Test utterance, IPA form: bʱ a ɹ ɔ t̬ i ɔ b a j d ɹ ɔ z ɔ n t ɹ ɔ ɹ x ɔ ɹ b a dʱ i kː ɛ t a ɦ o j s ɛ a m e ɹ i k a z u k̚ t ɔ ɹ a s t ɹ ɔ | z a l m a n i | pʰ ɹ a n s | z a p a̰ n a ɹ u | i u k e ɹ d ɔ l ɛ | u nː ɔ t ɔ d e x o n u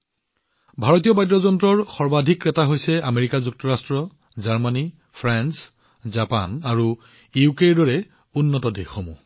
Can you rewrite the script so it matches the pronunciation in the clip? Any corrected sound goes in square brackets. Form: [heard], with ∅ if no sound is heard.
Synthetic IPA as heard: bʱ a ɹ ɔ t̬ i ɔ b a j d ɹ ɔ z ɔ n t ɹ ɔ ɹ x ɔ ɹ b a dʱ i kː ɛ t a ɦ o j s ɛ a m e ɹ i k a z u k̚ t ɔ ɹ a s t ɹ ɔ | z a [ɹ] m a n i | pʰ ɹ a n s | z a p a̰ n a ɹ u | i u k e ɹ d ɔ [ɹ] ɛ | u nː ɔ t ɔ d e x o [m] u